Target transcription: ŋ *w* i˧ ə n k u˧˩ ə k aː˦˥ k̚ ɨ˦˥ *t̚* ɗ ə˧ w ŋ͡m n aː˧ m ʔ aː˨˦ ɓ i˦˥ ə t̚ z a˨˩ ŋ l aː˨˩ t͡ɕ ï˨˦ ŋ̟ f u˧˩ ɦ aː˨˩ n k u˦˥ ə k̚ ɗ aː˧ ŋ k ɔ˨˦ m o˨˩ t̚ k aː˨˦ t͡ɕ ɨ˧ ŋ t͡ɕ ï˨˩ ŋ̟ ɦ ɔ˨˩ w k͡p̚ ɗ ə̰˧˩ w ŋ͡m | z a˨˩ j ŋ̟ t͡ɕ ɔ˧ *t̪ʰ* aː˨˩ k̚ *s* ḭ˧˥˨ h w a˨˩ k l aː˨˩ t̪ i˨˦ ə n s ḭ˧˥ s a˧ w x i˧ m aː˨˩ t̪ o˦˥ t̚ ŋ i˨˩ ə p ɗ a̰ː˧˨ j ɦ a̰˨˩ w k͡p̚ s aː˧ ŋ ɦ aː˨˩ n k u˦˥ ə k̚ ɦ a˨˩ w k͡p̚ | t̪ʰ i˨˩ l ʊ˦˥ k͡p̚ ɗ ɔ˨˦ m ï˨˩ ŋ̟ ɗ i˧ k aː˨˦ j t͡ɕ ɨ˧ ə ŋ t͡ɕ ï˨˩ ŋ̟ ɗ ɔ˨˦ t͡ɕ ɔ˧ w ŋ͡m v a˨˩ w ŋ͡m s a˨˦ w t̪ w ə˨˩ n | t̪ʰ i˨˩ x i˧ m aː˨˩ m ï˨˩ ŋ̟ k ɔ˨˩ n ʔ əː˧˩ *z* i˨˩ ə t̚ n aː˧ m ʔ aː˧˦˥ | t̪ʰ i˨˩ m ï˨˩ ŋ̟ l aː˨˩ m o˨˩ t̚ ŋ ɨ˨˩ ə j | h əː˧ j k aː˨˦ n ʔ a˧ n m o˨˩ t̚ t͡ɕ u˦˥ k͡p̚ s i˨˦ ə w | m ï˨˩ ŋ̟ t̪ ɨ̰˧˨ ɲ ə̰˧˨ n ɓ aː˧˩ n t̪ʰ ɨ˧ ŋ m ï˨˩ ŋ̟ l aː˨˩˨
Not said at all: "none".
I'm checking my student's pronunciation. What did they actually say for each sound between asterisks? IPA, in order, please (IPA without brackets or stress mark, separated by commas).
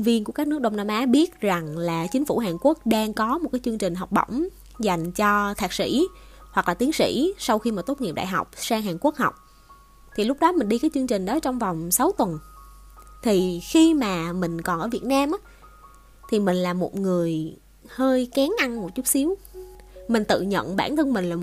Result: v, k̚, t̪ʰ, s, v